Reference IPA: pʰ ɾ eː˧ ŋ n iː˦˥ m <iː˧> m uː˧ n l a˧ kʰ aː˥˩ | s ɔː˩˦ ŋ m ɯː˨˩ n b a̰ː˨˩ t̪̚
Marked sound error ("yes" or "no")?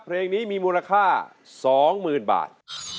no